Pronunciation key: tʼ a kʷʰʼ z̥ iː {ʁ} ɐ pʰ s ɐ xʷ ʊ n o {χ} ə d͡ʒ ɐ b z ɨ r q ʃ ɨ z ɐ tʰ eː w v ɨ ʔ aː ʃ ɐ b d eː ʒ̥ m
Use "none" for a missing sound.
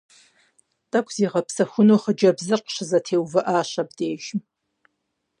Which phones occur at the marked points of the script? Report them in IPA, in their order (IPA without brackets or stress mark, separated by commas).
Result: ʁ, χ